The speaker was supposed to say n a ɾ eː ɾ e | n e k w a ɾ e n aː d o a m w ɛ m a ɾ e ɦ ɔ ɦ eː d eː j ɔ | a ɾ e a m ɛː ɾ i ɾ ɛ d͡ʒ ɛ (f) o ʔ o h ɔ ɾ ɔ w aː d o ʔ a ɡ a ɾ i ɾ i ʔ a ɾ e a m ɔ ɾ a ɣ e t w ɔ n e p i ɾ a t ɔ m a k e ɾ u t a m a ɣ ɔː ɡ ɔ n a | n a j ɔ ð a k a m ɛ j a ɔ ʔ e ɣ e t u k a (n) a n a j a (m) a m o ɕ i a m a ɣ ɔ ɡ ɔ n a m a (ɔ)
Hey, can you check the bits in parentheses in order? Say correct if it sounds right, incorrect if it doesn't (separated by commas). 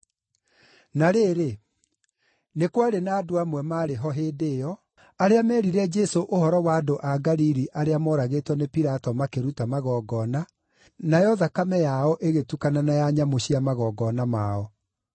incorrect, correct, incorrect, correct